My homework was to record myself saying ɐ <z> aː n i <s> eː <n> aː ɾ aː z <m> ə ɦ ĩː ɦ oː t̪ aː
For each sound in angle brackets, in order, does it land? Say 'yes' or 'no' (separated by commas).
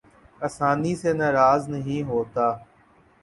no, yes, yes, no